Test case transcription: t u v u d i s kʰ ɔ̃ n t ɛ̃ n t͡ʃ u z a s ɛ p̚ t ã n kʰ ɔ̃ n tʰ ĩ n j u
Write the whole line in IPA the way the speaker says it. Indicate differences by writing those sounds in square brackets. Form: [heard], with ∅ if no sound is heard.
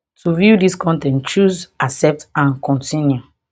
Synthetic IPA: t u v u d i s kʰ ɔ̃ n t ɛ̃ n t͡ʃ u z a s ɛ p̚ t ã n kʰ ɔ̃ n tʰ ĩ n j u